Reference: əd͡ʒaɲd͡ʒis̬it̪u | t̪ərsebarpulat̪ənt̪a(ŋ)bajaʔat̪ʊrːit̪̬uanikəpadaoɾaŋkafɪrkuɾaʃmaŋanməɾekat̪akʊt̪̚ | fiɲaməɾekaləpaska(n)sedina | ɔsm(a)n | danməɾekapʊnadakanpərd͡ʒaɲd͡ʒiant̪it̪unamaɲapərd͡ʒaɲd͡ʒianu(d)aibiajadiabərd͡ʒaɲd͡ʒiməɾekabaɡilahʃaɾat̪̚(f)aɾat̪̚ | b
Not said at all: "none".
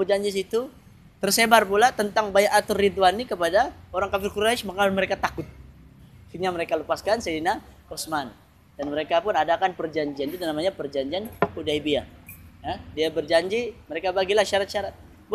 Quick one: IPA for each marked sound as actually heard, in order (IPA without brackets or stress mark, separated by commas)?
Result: ŋ, n, a, d, ʃ